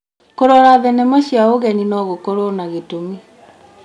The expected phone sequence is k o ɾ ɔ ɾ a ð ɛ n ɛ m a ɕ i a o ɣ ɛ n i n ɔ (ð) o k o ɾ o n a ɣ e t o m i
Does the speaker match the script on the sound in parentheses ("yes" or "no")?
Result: no